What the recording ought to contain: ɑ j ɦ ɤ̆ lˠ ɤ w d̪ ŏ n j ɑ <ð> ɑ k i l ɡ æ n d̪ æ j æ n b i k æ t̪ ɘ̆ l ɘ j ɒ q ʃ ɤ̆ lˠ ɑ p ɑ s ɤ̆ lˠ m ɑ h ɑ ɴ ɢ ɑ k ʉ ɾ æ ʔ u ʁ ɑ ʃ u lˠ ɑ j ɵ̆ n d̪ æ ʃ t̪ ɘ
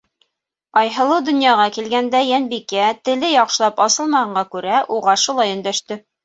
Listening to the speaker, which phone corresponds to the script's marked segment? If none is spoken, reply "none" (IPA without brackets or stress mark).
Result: ʁ